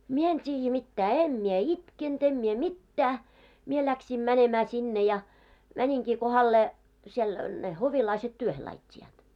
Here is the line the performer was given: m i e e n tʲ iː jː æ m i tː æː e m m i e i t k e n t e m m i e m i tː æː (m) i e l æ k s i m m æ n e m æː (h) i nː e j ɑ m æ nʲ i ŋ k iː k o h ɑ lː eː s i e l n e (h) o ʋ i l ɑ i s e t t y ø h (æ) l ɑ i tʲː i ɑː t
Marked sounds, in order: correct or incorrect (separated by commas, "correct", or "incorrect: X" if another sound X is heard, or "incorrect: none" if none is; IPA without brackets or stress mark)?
correct, incorrect: s, correct, incorrect: e